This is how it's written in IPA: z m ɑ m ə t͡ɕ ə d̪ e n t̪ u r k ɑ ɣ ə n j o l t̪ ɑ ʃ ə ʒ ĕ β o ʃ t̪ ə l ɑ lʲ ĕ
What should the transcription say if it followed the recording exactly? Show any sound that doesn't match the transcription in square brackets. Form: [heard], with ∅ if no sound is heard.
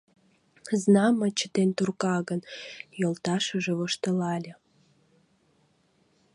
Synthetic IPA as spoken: z [n] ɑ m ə t͡ɕ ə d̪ e n t̪ u r k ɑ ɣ ə n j o l t̪ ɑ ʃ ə ʒ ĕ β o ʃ t̪ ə l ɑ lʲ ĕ

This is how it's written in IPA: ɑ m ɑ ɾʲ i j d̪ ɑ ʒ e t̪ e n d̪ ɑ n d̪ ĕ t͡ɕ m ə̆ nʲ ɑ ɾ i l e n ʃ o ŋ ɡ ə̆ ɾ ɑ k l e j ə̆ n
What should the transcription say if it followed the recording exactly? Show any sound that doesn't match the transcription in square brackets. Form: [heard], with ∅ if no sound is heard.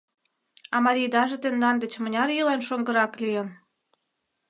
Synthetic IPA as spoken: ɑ m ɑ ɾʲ i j d̪ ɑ ʒ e t̪ e n d̪ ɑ n d̪ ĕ t͡ɕ m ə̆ nʲ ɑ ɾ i l e n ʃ o ŋ ɡ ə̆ ɾ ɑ k l [i] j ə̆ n

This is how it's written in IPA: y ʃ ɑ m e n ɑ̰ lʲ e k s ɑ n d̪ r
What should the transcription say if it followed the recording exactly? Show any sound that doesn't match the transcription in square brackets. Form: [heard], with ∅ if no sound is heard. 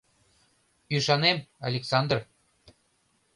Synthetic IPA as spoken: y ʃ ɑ [n] e [m] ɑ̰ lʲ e k s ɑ n d̪ r

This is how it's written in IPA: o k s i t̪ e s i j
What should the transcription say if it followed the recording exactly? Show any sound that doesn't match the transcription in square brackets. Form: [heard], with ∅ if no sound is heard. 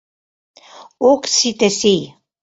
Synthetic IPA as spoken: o k s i t̪ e s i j

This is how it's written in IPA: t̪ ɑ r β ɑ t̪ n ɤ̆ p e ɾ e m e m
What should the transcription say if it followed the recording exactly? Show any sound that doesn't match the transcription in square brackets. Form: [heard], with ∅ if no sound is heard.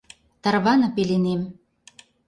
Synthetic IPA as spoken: t̪ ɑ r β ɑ [∅] n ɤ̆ p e [l] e [n] e m

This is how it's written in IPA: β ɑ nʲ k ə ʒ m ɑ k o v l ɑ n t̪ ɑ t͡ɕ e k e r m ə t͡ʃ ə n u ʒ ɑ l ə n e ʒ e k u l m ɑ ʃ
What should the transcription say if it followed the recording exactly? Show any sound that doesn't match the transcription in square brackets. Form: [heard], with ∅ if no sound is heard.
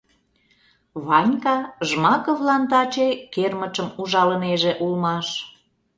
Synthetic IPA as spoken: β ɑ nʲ k [ɑ] ʒ m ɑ k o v l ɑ n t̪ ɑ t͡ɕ e k e r m ə t͡ʃ ə [m] u ʒ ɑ l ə n e ʒ e [ʔ] u l m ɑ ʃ

